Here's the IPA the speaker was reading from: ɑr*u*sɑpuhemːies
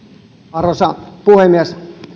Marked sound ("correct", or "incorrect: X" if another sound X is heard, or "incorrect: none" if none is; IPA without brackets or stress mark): incorrect: o